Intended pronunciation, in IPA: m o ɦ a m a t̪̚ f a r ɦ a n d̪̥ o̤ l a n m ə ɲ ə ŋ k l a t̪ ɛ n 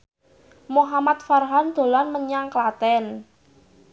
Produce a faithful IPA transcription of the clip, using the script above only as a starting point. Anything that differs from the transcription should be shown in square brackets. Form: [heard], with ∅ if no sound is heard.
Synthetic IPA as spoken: m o ɦ a m a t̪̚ f a r ɦ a n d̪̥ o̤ l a n m ə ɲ [a] ŋ k l a t̪ ɛ n